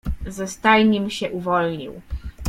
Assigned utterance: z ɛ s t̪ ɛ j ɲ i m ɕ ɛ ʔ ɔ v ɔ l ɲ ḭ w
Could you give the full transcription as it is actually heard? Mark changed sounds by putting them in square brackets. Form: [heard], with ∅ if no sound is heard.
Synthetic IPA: z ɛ s t̪ [a] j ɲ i m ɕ ɛ ʔ [u] v ɔ l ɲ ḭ w